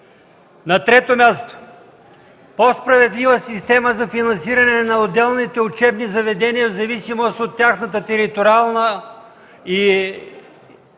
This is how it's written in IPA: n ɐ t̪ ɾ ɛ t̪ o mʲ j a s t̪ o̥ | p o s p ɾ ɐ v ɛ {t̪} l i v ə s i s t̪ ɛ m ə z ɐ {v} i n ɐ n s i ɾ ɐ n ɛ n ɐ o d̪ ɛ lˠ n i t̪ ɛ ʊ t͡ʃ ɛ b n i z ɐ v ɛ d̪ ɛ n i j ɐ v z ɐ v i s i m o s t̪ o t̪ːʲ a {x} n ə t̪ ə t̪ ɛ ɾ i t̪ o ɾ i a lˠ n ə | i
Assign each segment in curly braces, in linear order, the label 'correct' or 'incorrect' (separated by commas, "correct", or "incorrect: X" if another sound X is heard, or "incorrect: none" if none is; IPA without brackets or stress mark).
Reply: incorrect: d̪, incorrect: f, correct